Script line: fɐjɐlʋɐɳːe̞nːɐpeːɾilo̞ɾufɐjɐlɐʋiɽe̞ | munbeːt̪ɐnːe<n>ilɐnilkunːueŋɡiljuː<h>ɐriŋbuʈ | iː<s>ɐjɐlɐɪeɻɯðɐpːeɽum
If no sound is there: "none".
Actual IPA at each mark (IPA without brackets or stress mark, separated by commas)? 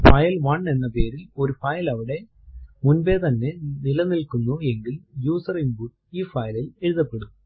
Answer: n, s, f